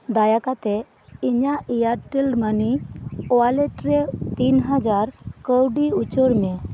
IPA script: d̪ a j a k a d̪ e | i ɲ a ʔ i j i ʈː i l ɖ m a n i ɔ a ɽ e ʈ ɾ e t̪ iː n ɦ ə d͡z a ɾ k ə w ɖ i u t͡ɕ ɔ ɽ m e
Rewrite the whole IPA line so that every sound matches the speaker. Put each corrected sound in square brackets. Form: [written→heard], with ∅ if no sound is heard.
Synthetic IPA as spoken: d̪ a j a k a [d̪→t̪] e | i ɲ a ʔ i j [i→a] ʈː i l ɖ m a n i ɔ a [ɽ→l] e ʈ ɾ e t̪ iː n ɦ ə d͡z a ɾ k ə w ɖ i u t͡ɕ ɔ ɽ m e

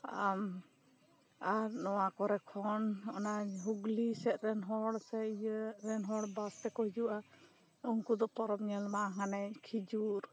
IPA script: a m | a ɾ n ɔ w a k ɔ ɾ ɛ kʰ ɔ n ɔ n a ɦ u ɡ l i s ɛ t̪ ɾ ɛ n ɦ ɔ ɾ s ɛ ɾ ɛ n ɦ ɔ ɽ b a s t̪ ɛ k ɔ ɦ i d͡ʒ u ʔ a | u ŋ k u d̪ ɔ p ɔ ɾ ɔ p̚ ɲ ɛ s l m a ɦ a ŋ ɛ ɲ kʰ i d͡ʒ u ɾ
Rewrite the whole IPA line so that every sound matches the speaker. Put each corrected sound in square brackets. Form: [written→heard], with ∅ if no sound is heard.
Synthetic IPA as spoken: a m | a ɾ n ɔ w a k ɔ ɾ ɛ kʰ ɔ n ɔ n a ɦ u ɡ l i s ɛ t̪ ɾ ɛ n ɦ ɔ [ɾ→ɽ] s ɛ ɾ ɛ n ɦ ɔ ɽ b a s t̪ ɛ k ɔ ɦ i d͡ʒ u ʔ a | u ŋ k u d̪ ɔ p ɔ ɾ ɔ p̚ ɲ ɛ [s→∅] l m a ɦ a [ŋ→n] ɛ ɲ kʰ i d͡ʒ u ɾ

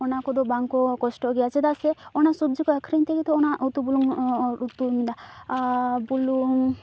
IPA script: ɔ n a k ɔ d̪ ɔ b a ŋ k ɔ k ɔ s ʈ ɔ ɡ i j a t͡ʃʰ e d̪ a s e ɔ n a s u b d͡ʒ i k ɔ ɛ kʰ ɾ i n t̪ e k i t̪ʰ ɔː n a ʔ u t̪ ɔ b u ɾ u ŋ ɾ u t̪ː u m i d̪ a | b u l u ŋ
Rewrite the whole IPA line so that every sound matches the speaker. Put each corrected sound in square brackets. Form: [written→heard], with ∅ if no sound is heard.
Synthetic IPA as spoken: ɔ n a k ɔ d̪ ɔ b a ŋ k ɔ k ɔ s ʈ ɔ ɡ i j a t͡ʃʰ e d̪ a s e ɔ n a s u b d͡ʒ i k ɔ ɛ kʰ ɾ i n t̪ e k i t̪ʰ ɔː n a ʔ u t̪ [ɔ→u] b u [ɾ→l] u ŋ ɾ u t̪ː u m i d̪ a | b u l u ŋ

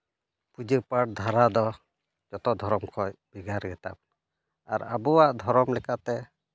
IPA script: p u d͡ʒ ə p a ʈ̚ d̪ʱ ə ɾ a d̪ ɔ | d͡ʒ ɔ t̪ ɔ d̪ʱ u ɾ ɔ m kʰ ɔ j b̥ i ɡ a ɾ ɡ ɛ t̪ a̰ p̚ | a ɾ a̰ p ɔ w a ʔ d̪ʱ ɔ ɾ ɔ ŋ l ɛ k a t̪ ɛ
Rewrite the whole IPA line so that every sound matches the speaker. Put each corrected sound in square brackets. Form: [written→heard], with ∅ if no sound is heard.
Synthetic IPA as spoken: p u d͡ʒ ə p a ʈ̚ d̪ʱ [ə→a] ɾ a d̪ ɔ | d͡ʒ ɔ t̪ ɔ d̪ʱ [u→ɔ] ɾ ɔ m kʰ ɔ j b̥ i ɡ a ɾ ɡ ɛ t̪ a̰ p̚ | a ɾ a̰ [p→b] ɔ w a ʔ d̪ʱ ɔ ɾ ɔ [ŋ→m] l ɛ k a t̪ ɛ

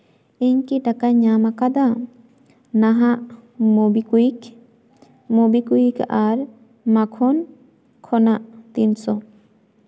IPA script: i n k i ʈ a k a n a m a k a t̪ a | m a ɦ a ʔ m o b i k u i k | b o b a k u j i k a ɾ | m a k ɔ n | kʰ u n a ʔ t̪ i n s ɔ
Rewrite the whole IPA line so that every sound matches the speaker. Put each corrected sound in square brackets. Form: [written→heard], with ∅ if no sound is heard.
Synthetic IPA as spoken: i [n→ɲ] k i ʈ a k a [n→ɲ] a m a k a [t̪→d̪] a | [m→n] a ɦ a ʔ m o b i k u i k | [b→m] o b [a→i] k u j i k a ɾ | m a [k→kʰ] ɔ n | kʰ [u→ɔ] n a ʔ t̪ i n s ɔ

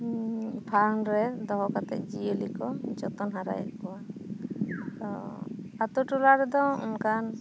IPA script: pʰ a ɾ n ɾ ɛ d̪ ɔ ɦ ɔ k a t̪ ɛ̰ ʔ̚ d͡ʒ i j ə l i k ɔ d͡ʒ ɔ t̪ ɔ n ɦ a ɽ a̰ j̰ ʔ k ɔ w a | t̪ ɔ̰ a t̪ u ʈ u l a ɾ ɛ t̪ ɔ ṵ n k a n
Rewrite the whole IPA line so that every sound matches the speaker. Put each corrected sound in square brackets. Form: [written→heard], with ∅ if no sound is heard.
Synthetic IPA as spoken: pʰ a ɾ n ɾ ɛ d̪ ɔ ɦ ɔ k a t̪ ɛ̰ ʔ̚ d͡ʒ i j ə l i k ɔ d͡ʒ ɔ t̪ ɔ n ɦ a [ɽ→ɾ] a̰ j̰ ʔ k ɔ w a | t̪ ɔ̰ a t̪ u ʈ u l a ɾ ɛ [t̪→d̪] ɔ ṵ n k a n

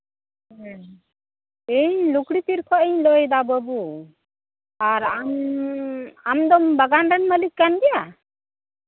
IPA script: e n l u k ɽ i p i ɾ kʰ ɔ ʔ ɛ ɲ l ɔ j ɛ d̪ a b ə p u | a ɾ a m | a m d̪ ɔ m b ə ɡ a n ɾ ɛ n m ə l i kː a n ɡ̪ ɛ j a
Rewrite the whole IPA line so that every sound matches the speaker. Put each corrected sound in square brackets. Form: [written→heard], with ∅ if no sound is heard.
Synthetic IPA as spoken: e [n→ɲ] l u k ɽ i p i ɾ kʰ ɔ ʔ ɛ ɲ l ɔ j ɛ d̪ a b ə [p→b] u | a ɾ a m | a m d̪ ɔ m b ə ɡ a n ɾ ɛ n m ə l i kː a n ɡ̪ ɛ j a

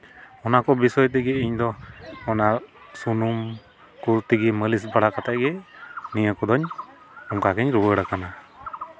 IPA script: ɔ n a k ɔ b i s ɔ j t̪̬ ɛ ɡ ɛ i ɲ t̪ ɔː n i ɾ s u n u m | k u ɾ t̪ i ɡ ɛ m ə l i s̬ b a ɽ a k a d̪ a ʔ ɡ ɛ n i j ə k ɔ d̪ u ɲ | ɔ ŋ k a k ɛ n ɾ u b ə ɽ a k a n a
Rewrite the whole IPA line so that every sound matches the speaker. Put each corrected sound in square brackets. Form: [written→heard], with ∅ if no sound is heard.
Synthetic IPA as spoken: ɔ n a k ɔ b i s ɔ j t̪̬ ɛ ɡ ɛ i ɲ [t̪→d̪] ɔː n [i→a] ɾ s u n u m | k u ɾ t̪ i ɡ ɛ m ə l i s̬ b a ɽ a k a [d̪→t̪] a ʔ ɡ ɛ n i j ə k ɔ d̪ [u→ɔ] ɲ | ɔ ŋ k a k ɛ [n→ɲ] ɾ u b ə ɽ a k a n a

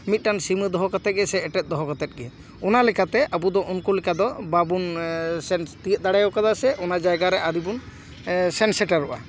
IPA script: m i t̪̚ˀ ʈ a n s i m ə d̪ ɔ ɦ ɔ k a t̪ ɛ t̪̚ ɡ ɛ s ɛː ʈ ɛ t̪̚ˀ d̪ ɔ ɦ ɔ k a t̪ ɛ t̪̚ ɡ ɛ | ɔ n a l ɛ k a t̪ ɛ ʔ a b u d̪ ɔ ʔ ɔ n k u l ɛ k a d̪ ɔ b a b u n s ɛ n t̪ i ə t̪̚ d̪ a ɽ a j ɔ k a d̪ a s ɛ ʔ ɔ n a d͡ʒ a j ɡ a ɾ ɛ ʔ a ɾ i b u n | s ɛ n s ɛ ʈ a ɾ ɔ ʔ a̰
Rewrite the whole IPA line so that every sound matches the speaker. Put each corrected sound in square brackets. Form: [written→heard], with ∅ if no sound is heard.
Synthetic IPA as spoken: m i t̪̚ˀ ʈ a n s i m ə d̪ ɔ ɦ ɔ k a t̪ ɛ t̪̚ ɡ ɛ s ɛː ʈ ɛ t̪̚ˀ d̪ ɔ ɦ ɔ k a t̪ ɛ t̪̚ ɡ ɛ | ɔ n a l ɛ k a t̪ ɛ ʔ a b u d̪ ɔ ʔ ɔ n k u l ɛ k a d̪ ɔ b a b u n s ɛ n t̪ i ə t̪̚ d̪ a ɽ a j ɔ k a d̪ a s ɛ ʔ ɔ n a d͡ʒ a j ɡ a ɾ ɛ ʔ a ɾ i b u n | s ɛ n s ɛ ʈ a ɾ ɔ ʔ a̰

